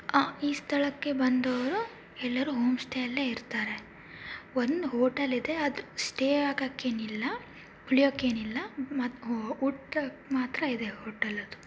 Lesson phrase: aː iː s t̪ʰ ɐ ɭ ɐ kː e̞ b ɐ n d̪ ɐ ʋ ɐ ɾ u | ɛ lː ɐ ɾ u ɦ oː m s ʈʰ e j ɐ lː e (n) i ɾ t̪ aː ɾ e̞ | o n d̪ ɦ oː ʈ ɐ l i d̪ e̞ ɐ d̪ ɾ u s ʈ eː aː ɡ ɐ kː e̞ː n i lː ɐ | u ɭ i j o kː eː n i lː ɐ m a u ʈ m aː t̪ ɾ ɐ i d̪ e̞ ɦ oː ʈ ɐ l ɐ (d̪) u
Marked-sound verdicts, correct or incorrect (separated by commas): incorrect, correct